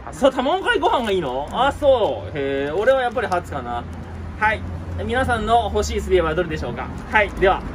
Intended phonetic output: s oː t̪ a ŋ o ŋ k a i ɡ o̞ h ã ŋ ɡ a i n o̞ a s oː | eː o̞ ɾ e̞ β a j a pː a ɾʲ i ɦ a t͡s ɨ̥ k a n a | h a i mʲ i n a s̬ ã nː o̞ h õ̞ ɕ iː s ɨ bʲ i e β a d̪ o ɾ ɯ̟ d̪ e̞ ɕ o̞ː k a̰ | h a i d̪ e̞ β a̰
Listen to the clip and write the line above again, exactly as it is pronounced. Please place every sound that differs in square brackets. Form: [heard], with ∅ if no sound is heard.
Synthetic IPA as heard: s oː t̪ a [m] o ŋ k a i ɡ o̞ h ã ŋ ɡ a [iː] n o̞ a s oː | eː o̞ ɾ e̞ β a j a pː a ɾʲ i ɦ a t͡s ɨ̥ k a n a | h a i mʲ i n a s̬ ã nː o̞ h [o̞] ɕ iː s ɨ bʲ i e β a d̪ o ɾ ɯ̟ d̪ e̞ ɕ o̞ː k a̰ | h a i d̪ e̞ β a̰

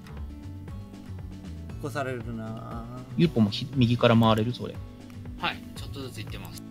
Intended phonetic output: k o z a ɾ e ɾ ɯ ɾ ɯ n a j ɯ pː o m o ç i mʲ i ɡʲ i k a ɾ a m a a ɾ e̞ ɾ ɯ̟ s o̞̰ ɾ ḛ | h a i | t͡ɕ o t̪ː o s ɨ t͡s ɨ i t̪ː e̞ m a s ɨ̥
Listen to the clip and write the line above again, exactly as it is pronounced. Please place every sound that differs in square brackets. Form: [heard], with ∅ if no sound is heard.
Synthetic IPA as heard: k o [s] a ɾ e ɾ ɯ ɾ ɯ n a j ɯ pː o m o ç i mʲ i ɡʲ i k a ɾ a m a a ɾ e̞ ɾ ɯ̟ s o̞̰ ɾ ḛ | h a i | t͡ɕ o t̪ː o [z] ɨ t͡s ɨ i t̪ː e̞ m a s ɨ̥

